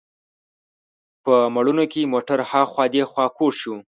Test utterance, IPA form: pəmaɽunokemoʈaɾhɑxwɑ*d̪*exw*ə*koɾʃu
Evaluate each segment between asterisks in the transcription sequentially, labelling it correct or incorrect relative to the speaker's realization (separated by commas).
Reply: correct, incorrect